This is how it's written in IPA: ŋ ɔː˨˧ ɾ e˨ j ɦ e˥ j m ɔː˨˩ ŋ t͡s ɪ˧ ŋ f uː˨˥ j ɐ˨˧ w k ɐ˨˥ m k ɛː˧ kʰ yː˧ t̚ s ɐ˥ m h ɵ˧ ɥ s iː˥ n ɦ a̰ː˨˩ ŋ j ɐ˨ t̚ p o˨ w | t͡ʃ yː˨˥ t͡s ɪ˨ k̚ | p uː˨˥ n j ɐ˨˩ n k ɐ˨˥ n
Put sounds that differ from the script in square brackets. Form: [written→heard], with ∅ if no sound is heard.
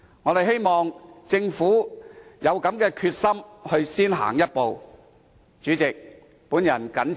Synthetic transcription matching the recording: ŋ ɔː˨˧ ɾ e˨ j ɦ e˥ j m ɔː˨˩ ŋ t͡s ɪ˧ ŋ f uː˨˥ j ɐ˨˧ w k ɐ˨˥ m k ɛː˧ kʰ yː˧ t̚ s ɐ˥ m h ɵ˧ ɥ s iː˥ n ɦ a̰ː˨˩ ŋ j [ɐ˨→ɐ˥] t̚ p o˨ w | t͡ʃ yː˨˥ t͡s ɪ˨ k̚ | p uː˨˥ n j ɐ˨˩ n k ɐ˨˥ n